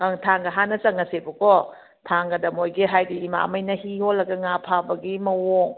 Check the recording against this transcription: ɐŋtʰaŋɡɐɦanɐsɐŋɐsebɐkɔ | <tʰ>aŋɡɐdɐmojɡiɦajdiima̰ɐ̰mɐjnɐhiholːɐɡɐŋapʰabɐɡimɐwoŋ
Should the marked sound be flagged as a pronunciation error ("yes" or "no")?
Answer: no